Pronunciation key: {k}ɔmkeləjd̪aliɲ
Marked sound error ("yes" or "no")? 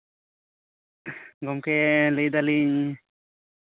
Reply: yes